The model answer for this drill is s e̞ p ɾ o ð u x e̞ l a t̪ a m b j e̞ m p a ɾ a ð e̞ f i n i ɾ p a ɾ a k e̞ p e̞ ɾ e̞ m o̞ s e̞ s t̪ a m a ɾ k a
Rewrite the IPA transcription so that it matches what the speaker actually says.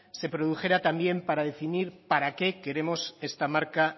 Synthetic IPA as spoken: s e̞ p ɾ o ð u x e̞ ɾ a t̪ a m b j e̞ m p a ɾ a ð e̞ f i n i ɾ p a ɾ a k e̞ k e̞ ɾ e̞ m o̞ s e̞ s t̪ a m a ɾ k a